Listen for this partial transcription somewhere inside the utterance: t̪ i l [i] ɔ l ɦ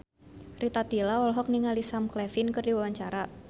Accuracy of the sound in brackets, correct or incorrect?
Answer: incorrect